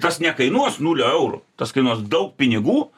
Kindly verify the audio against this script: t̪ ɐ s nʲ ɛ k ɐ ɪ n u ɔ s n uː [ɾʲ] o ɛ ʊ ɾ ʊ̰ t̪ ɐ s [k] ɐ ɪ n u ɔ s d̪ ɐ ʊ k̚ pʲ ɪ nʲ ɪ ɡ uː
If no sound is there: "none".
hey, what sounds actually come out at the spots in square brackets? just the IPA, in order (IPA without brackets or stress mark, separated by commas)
lʲ, k